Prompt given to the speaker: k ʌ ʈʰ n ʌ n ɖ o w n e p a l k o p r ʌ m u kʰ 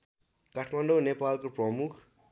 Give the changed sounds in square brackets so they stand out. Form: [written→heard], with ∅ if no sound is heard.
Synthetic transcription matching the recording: k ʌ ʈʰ [n→m] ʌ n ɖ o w n e p a l k o p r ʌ m u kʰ